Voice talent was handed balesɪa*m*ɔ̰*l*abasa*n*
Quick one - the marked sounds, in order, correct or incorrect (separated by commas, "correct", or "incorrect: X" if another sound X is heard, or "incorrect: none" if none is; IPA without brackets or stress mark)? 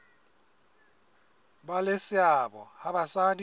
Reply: incorrect: b, incorrect: none, incorrect: d